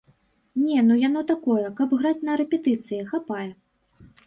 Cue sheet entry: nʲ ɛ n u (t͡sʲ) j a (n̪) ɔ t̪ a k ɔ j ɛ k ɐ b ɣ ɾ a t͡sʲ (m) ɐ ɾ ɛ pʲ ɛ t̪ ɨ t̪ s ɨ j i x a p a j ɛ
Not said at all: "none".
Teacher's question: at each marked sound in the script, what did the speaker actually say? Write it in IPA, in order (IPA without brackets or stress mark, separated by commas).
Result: none, n̪, n